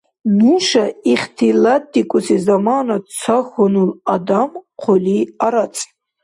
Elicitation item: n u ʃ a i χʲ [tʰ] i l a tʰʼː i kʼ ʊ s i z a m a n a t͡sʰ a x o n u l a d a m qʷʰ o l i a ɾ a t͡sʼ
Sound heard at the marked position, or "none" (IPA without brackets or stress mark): tʰ